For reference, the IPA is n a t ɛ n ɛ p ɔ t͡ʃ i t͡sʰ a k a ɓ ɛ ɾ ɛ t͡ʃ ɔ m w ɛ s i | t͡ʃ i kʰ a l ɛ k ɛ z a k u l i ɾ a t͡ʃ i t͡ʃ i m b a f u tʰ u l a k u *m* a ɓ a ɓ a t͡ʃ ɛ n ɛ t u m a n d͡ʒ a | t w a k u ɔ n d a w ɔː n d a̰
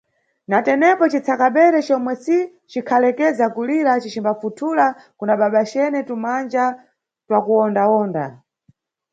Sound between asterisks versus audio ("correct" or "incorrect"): incorrect